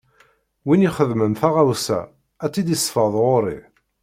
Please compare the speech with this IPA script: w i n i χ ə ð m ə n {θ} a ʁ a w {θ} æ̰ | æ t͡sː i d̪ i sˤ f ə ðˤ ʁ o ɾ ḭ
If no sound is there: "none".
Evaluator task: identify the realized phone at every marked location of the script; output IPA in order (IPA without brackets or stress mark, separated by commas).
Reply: θ, s